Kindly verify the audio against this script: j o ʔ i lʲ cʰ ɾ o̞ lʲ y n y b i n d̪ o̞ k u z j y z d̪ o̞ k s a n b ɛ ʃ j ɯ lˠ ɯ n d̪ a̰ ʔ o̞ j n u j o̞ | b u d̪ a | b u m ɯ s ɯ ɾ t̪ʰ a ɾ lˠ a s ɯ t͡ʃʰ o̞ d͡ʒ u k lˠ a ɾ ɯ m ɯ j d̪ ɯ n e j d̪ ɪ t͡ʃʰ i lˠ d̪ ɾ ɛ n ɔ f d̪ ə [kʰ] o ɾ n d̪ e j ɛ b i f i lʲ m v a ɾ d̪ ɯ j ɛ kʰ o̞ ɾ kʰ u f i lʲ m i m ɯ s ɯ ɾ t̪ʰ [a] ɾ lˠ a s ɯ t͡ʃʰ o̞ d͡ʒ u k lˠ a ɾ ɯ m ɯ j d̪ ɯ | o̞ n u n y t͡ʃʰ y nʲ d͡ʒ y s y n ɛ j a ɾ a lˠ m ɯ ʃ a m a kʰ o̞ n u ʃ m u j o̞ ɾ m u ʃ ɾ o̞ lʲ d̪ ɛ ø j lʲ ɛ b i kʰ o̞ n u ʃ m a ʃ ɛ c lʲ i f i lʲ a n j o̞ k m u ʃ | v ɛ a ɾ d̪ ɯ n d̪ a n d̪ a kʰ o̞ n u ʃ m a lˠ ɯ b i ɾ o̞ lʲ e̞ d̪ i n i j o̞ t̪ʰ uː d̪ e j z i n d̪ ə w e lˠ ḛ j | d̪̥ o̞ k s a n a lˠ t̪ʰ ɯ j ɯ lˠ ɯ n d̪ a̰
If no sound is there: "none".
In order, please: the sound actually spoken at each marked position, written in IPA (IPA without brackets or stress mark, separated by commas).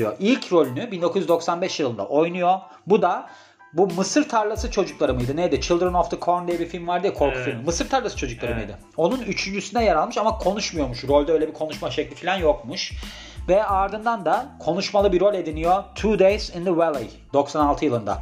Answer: kʰ, a